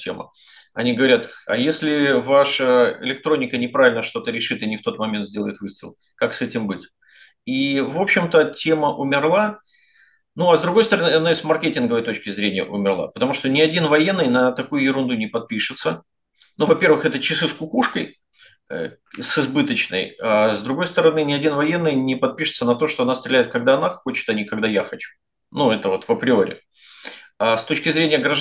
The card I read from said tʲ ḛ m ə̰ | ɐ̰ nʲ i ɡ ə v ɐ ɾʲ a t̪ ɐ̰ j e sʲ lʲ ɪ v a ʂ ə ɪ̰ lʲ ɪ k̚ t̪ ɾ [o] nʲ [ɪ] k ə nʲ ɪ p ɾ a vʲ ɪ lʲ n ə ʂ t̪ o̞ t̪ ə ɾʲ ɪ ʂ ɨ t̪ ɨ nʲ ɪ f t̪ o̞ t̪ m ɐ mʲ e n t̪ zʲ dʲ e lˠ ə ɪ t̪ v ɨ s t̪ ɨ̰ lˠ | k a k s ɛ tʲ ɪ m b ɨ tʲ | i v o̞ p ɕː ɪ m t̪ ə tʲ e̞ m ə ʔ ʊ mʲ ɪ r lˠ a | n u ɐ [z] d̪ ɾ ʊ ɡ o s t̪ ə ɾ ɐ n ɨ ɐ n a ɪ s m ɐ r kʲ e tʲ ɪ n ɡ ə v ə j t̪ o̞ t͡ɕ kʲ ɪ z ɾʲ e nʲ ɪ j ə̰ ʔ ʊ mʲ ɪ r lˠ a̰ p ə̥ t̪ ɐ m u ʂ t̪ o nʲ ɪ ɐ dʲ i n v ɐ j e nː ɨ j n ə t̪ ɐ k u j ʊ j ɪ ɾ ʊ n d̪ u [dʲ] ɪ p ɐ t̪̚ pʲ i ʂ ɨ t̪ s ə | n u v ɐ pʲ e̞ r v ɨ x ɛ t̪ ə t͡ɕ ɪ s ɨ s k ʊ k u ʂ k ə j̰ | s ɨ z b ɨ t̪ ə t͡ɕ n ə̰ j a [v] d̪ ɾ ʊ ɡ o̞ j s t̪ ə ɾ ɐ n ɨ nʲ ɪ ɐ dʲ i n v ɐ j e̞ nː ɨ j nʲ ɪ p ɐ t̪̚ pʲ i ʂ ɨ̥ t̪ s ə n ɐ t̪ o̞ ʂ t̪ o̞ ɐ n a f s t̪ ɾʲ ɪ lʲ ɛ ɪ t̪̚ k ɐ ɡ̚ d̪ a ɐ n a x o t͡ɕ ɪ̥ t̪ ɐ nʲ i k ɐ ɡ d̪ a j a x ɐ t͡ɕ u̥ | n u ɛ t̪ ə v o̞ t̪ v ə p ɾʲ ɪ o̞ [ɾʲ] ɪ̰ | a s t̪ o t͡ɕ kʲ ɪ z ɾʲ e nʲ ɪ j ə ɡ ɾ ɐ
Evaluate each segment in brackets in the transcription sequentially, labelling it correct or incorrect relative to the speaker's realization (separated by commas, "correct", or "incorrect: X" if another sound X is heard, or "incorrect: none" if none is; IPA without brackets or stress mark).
correct, correct, correct, incorrect: nʲ, incorrect: z, correct